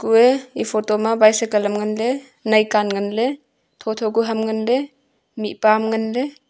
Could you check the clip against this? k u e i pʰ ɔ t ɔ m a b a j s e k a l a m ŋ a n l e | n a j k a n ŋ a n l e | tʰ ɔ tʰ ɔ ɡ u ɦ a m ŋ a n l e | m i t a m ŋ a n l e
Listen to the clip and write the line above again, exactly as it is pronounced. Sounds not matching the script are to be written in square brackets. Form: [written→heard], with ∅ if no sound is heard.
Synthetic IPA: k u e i pʰ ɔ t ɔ m a b a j s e k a l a m ŋ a n l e | n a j k a n ŋ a n l e | tʰ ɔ tʰ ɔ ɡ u ɦ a m ŋ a n l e | m i [t→p] a m ŋ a n l e

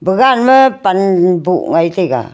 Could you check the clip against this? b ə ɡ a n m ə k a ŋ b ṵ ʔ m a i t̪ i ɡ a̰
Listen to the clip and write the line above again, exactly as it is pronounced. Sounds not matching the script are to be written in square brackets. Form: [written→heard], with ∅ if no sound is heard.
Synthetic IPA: b ə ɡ a n m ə [k→p] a [ŋ→n] b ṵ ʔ [m→ŋ] a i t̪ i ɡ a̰

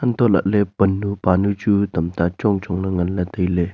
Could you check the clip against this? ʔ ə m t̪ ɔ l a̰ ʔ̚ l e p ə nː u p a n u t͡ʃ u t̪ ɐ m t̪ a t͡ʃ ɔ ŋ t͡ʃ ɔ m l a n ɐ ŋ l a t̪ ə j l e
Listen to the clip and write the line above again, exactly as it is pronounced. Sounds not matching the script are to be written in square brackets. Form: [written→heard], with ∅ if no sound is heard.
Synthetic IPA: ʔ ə [m→n] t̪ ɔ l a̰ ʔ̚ l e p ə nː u p a n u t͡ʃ u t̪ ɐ m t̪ a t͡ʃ ɔ ŋ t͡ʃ ɔ [m→ŋ] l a [n→ŋ] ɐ [ŋ→n] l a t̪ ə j l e

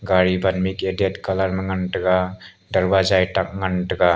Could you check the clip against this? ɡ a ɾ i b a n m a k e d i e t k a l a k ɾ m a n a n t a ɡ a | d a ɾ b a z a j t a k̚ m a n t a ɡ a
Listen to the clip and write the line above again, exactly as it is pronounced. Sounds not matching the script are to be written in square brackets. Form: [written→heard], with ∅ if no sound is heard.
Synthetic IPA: ɡ a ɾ i b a n m [a→i] k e d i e t k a l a [k→∅] ɾ m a [n→ŋ] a n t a ɡ a | d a ɾ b a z a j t a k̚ [m→ŋ] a n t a ɡ a

